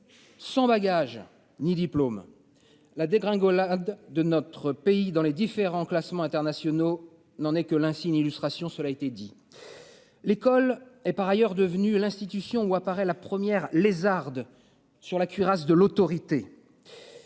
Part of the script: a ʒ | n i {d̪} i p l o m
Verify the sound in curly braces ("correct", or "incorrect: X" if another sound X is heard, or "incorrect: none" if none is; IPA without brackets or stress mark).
correct